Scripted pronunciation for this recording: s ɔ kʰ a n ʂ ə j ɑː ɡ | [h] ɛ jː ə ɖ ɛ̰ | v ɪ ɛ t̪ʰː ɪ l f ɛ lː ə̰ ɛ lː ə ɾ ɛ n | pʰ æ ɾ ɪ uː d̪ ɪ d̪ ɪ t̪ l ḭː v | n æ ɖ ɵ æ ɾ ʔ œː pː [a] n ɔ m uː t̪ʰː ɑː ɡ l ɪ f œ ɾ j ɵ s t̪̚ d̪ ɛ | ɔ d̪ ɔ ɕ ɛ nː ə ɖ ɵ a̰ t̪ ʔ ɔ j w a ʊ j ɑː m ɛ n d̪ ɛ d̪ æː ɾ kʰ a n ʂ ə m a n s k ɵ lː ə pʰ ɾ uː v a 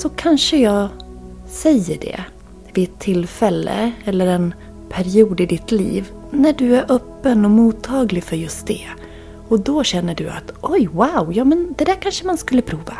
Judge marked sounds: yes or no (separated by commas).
no, no